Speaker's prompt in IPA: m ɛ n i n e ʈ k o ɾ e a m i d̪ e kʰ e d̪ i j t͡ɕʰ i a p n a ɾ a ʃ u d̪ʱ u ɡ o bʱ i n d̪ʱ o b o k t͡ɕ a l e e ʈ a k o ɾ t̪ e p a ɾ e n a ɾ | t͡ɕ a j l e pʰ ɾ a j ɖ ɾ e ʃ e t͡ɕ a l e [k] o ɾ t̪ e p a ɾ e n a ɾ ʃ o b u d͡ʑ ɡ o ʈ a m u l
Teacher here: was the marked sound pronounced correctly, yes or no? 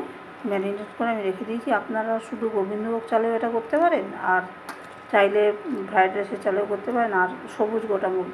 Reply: yes